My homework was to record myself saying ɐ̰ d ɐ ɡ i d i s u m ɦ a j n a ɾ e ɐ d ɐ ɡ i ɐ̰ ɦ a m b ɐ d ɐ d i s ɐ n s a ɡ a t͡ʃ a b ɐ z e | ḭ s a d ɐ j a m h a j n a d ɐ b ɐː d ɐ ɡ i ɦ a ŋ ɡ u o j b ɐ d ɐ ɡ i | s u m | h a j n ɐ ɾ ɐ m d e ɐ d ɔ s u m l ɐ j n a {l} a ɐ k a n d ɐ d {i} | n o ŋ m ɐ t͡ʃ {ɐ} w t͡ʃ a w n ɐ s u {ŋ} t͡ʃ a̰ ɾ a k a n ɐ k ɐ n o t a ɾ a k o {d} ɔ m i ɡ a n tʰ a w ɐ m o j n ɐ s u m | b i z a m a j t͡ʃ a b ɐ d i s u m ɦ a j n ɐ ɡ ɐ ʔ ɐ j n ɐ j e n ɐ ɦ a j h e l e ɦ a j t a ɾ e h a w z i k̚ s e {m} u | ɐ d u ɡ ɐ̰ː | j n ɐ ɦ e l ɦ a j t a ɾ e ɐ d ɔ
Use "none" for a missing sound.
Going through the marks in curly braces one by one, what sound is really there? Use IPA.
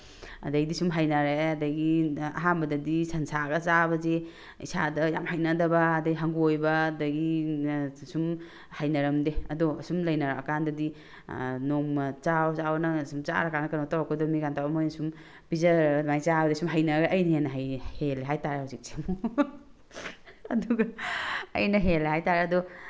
ɾ, i, a, m, d, m

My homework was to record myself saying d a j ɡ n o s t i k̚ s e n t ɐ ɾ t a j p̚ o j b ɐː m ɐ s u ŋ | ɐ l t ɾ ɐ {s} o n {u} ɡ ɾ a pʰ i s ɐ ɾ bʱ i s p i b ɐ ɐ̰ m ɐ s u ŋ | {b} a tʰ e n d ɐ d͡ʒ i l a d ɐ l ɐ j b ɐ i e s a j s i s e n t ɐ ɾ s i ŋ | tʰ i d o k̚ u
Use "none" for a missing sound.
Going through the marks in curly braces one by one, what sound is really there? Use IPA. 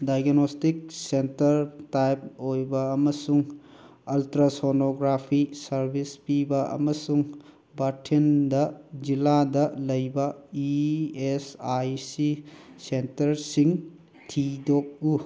s, o, b

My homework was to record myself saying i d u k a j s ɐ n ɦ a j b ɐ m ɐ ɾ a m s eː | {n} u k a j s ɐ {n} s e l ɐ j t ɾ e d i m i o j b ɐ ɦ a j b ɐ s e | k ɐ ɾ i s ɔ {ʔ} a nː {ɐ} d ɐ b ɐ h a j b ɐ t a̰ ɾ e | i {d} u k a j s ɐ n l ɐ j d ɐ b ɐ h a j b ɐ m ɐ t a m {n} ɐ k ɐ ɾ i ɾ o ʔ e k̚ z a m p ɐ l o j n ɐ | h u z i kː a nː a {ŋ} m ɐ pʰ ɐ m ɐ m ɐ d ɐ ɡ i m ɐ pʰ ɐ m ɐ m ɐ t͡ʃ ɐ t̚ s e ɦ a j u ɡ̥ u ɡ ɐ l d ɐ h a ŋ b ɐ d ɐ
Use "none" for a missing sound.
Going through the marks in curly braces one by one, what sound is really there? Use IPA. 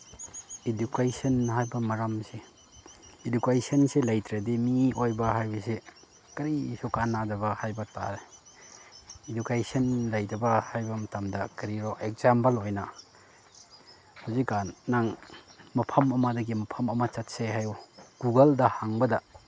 d, n, k, a, d, d, ŋ

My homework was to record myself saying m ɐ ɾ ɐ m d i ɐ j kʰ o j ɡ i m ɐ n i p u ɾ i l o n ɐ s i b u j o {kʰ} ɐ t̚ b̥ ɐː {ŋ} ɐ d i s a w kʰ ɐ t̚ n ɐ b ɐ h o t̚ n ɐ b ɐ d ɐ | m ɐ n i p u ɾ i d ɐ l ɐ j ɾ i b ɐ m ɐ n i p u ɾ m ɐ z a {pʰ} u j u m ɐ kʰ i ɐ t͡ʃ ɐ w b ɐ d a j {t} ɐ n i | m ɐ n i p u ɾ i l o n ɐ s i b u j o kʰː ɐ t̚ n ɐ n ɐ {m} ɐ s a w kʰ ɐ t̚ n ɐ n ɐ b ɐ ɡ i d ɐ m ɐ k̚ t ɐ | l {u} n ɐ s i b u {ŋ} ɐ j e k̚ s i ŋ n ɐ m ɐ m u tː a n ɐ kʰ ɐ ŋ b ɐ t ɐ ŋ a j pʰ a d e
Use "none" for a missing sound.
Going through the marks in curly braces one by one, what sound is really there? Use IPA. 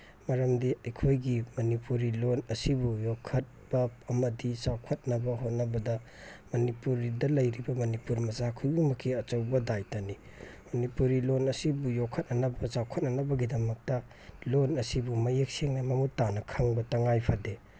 kʰ, m, kʰ, t, b, o, m

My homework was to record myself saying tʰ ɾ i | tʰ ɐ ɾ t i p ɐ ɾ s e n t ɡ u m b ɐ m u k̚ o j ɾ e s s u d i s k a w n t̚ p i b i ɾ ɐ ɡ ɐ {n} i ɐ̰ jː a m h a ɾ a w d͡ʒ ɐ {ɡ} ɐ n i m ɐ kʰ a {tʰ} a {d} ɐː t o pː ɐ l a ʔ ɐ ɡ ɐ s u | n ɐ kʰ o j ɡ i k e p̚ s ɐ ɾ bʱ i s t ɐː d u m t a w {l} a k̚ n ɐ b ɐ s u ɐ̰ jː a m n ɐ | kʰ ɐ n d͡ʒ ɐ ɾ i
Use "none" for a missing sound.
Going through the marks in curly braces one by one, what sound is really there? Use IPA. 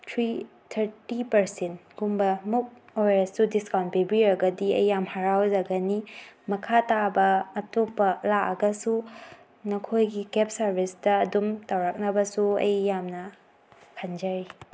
d, ɡ, t, b, ɾ

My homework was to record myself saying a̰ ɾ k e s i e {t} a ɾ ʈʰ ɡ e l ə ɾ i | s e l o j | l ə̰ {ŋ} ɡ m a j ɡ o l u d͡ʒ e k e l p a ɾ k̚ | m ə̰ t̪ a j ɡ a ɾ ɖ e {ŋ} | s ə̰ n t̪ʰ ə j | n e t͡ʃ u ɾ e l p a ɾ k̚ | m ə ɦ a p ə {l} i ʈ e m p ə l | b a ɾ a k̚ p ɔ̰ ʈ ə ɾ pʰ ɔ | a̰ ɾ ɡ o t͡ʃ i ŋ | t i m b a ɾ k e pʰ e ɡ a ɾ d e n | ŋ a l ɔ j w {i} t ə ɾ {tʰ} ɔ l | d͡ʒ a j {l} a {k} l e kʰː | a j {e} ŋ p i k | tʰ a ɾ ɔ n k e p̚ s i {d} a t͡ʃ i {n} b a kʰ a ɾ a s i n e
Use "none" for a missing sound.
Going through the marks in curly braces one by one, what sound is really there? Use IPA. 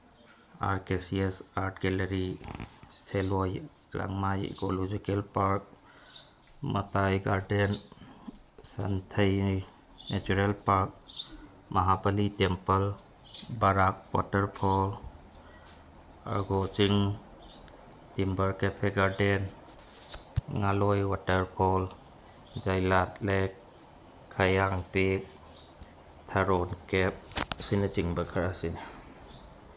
s, ŋ, n, l, a, pʰ, l, t, a, n, ŋ

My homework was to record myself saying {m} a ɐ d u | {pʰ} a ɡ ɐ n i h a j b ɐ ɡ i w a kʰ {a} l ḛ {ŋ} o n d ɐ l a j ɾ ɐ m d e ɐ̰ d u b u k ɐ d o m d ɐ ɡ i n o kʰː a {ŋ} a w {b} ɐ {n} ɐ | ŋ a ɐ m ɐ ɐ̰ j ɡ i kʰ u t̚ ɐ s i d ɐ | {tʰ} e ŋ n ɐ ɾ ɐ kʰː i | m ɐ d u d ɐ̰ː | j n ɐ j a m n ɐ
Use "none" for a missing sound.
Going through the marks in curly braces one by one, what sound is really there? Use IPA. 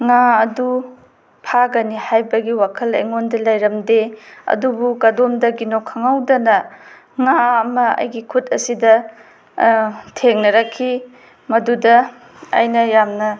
ŋ, pʰ, ɐ, ŋ, ŋ, d, n, tʰ

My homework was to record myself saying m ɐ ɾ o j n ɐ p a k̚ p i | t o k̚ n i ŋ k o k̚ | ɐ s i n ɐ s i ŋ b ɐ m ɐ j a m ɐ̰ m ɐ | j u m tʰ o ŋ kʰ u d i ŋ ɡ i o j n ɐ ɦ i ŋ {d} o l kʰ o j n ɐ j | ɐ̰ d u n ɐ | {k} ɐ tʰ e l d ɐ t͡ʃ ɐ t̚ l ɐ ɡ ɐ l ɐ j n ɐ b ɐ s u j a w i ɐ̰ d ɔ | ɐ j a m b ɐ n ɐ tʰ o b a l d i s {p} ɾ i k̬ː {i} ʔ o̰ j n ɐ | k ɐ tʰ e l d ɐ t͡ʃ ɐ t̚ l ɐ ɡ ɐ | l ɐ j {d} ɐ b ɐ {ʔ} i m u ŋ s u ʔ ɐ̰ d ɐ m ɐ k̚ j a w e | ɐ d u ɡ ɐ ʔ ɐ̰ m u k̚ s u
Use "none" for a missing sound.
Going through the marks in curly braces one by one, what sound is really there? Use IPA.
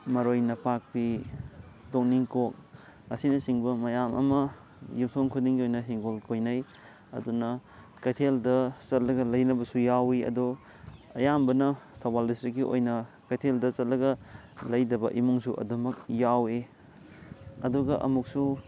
ɡ, k, t, i, d, ʔ

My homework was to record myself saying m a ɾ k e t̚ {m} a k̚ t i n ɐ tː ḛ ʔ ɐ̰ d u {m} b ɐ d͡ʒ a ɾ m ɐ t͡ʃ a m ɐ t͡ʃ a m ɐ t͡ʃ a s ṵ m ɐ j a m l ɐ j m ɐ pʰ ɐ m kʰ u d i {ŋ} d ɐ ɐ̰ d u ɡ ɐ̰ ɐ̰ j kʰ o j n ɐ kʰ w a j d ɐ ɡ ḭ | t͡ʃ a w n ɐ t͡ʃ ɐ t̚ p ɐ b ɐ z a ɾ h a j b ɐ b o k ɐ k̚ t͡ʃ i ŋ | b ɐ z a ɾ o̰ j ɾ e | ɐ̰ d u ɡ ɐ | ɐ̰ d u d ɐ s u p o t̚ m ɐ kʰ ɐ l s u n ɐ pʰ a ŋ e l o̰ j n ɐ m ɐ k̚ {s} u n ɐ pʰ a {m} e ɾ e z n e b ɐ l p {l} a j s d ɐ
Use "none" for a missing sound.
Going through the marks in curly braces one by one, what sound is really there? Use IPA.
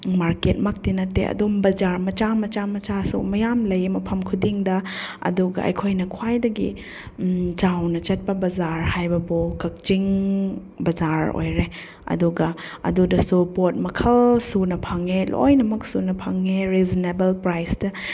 m, m, ŋ, s, ŋ, ɾ

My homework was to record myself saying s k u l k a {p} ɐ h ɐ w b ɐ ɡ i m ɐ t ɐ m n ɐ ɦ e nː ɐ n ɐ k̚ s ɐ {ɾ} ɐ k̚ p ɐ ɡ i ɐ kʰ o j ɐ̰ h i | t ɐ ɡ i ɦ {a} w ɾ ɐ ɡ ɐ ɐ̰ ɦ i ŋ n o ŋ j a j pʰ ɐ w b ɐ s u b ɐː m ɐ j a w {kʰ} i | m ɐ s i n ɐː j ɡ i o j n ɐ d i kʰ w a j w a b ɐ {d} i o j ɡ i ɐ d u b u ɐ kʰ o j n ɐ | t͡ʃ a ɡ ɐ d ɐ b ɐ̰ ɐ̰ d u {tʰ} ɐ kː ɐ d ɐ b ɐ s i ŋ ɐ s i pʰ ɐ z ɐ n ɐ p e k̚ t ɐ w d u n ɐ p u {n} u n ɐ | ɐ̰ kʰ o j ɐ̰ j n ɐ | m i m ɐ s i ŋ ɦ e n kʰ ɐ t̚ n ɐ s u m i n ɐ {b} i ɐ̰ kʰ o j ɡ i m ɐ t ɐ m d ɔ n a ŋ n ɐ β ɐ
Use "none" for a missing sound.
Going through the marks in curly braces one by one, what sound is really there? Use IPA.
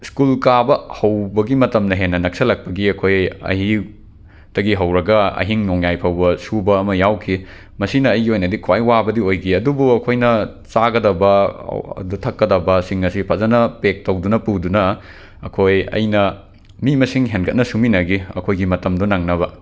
b, l, ɐ, kʰ, d, tʰ, d, ɡ

